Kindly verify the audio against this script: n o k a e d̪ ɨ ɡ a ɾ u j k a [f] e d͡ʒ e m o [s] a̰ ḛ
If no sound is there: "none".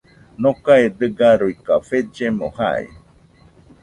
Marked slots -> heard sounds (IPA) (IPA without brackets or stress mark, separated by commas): f, h